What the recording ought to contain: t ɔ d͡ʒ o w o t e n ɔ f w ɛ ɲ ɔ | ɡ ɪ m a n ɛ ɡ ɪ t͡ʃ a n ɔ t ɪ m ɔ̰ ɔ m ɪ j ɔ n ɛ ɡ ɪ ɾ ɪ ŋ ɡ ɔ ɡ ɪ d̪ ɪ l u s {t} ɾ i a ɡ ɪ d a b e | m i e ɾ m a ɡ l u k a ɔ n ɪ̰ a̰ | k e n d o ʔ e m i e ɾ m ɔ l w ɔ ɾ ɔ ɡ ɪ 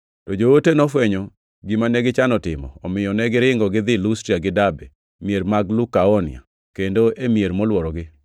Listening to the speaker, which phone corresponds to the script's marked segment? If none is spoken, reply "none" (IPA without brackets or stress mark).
t